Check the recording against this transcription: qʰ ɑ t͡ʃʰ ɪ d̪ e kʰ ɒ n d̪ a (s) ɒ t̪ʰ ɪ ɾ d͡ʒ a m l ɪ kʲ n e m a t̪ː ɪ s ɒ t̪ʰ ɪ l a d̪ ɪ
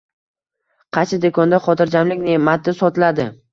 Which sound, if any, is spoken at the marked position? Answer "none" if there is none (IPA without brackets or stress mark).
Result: χ